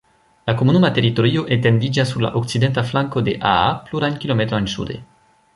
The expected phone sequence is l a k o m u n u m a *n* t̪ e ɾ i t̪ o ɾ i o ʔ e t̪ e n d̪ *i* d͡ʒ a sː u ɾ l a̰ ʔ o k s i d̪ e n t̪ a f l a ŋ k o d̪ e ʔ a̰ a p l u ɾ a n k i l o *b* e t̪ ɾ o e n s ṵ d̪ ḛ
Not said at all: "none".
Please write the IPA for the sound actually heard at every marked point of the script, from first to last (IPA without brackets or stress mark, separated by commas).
none, i, m